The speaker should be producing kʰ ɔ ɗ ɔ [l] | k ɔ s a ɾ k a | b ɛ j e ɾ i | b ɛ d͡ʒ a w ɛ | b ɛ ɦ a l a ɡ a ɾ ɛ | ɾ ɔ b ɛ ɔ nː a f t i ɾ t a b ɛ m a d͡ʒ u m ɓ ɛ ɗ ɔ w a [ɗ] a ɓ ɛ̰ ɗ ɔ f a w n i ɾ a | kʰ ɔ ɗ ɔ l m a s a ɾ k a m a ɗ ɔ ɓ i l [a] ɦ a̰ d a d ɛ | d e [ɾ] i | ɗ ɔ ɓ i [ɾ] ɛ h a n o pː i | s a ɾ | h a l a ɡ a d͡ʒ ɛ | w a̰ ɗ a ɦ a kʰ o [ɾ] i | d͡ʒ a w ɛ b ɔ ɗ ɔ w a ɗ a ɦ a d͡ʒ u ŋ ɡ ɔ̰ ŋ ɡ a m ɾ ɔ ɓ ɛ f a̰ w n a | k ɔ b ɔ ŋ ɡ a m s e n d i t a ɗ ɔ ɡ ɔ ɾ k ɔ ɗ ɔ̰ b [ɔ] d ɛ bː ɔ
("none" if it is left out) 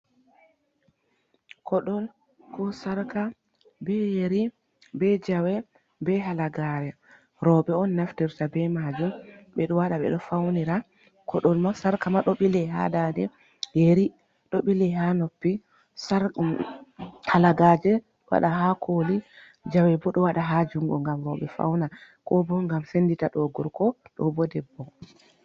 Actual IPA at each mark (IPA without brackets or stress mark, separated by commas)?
l, ɗ, ɛ, ɾ, l, l, ɔ